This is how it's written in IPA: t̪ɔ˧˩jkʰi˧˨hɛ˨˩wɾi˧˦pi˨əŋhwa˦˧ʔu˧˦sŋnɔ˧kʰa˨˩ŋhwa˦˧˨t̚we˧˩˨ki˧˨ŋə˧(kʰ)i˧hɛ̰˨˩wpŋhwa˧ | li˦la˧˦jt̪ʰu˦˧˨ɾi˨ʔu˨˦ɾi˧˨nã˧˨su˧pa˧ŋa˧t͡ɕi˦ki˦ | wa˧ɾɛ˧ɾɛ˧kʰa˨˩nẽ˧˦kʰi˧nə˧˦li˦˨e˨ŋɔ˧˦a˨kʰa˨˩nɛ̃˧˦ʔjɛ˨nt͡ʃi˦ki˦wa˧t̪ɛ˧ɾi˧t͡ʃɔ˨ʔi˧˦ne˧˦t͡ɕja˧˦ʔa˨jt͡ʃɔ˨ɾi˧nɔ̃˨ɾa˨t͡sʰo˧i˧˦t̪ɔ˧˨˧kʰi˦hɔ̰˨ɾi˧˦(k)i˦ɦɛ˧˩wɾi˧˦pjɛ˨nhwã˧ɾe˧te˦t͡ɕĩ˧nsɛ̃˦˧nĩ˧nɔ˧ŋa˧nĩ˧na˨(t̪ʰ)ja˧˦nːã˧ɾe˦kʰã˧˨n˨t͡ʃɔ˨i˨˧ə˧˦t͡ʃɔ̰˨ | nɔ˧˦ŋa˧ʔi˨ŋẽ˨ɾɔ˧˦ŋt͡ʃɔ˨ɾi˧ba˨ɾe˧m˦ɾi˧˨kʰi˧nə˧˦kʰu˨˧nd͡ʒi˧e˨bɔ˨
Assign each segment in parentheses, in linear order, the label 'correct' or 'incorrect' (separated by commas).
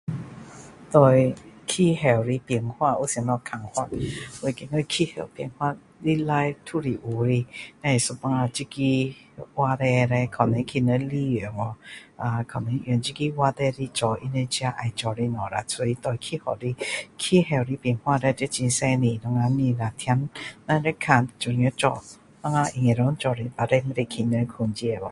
correct, incorrect, correct